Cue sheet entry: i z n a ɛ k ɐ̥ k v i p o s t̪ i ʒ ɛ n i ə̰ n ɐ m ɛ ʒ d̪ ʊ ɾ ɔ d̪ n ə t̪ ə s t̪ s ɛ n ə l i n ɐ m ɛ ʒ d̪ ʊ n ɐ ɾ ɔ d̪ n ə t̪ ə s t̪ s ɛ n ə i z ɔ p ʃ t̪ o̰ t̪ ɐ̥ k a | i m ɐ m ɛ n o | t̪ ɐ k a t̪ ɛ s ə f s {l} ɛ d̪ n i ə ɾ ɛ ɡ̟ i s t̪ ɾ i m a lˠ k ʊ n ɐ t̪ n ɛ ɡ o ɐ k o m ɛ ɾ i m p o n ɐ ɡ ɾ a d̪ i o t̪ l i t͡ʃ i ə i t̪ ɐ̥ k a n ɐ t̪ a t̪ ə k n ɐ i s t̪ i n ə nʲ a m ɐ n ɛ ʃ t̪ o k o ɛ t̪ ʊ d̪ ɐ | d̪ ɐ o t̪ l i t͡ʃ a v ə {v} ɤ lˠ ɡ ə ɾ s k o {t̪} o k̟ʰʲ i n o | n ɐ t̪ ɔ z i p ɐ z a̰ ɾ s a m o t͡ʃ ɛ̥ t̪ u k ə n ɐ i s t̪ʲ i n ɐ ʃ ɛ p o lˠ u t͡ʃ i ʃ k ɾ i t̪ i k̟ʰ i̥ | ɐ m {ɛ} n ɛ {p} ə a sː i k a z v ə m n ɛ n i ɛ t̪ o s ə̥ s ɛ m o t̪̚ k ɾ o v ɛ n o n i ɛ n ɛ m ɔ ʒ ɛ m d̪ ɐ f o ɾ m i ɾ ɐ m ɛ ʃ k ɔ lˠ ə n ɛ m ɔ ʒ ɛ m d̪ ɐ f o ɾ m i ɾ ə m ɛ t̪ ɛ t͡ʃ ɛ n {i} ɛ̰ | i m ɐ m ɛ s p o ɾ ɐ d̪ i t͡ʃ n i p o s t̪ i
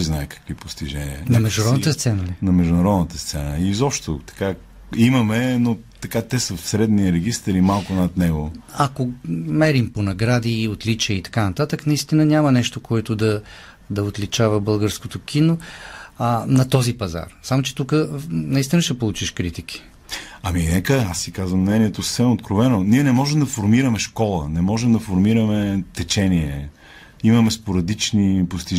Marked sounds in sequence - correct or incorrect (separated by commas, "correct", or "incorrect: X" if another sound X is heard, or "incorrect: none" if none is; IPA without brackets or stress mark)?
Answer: incorrect: ɾ, incorrect: b, correct, incorrect: i, incorrect: k, correct